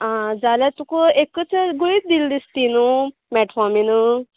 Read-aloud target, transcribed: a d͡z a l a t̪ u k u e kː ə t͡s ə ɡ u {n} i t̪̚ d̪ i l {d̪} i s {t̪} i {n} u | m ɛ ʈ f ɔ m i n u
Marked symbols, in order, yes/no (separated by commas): no, yes, yes, yes